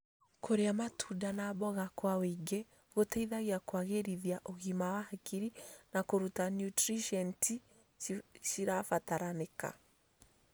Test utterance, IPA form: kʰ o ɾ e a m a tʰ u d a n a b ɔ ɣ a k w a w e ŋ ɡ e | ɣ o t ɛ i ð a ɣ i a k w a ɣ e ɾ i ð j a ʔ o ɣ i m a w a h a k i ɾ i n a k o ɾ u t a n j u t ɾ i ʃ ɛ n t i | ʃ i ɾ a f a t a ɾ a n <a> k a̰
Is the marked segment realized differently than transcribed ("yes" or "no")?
yes